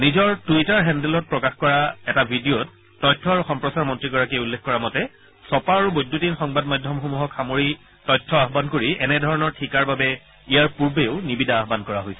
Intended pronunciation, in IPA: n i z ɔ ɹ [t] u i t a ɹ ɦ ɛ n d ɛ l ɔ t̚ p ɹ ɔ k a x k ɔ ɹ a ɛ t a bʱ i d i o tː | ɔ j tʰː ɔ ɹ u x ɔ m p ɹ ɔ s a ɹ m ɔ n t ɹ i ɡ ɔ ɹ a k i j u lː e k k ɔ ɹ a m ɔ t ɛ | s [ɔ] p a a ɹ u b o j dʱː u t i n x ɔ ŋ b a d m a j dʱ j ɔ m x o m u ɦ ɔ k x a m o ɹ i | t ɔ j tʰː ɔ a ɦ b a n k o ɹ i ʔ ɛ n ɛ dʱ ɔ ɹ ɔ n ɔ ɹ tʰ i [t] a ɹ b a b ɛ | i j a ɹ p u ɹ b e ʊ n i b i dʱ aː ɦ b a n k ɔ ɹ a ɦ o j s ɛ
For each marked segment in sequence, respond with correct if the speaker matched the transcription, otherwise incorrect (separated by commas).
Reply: correct, correct, incorrect